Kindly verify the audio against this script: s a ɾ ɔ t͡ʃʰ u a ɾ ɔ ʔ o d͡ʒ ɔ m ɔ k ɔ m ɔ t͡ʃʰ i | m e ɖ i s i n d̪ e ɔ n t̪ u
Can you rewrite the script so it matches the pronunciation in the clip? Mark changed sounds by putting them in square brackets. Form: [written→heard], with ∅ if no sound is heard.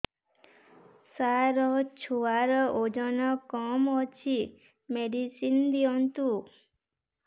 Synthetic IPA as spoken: s a ɾ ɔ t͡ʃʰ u a ɾ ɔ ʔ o d͡ʒ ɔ [m→n] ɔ k ɔ m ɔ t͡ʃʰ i | m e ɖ i s i n d̪ [e→i] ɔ n t̪ u